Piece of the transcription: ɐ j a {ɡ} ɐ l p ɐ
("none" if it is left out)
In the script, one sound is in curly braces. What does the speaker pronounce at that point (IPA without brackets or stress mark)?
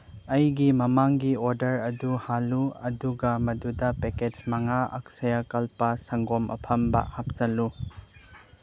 k